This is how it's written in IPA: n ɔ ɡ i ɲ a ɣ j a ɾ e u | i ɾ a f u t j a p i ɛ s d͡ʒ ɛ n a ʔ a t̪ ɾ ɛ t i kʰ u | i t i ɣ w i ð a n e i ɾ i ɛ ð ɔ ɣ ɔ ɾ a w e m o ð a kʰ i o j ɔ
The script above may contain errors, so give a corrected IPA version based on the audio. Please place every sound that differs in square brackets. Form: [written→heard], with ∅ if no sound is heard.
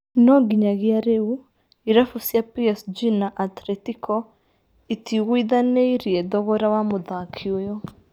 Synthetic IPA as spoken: n ɔ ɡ i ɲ a ɣ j a ɾ e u | i ɾ a f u [t→s] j a p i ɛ s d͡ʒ [ɛ→i] n a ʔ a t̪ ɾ ɛ t i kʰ [u→ɔ] | i t i ɣ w i ð a n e i ɾ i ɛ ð ɔ ɣ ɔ ɾ a w [e→a] m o ð a kʰ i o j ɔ